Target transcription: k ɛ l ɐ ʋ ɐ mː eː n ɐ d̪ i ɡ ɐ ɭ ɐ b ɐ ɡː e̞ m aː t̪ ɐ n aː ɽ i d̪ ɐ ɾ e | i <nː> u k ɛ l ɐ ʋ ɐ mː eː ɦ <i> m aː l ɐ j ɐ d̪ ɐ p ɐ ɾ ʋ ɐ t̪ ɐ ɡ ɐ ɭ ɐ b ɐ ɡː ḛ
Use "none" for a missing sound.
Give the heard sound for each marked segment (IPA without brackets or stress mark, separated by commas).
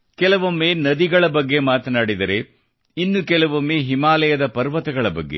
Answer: nː, i